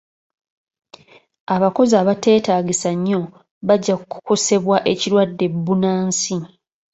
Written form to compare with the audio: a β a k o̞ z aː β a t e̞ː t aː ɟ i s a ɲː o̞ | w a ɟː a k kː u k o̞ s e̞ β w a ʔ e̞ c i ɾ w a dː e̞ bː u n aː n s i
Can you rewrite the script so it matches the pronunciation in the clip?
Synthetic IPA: a β a k o̞ z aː β a t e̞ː t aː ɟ i s a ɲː o̞ | β a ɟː a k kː u k o̞ s e̞ β w a ʔ e̞ c i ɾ w a dː e̞ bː u n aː n s i

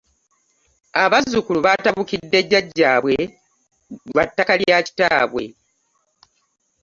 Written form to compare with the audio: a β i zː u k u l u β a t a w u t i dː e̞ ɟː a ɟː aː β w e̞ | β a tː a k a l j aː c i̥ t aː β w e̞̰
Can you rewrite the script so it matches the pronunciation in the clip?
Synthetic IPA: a β a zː u k u l u β a t a β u k i dː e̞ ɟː a ɟː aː β w e̞ | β a tː a k a l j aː c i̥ t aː β w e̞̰

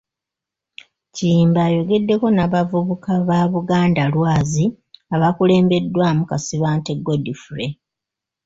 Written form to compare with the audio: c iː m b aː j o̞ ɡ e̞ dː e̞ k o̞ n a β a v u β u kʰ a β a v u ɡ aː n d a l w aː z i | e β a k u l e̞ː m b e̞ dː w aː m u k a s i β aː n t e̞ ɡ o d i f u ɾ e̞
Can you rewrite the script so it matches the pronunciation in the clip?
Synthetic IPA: c iː m b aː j o̞ ɡ e̞ dː e̞ k o̞ n a β a v u β u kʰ a β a β u ɡ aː n d a l w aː z i | a β a k u l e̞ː m b e̞ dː w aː m u k a s i β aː n t e̞ ɡ o d i f u ɾ e̞

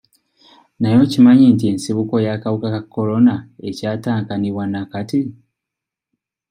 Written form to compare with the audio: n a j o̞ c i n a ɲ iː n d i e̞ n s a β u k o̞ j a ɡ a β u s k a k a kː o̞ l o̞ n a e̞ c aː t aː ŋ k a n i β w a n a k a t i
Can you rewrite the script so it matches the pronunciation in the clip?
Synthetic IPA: n a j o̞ c i m a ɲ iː n t i e̞ n s i β u k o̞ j a k a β u k a k a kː o̞ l o̞ n a e̞ c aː t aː ŋ k a n i β w a n a k a t i

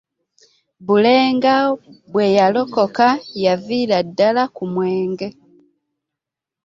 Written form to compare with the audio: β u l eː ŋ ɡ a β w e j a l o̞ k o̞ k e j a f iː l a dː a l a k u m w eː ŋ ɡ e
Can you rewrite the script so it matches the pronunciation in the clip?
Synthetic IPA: β u l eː ŋ ɡ a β w e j a l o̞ k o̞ k a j a v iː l a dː a l a k u m w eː ŋ ɡ e

